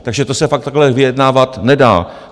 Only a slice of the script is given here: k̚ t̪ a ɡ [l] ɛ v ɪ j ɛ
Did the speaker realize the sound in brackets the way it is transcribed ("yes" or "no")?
yes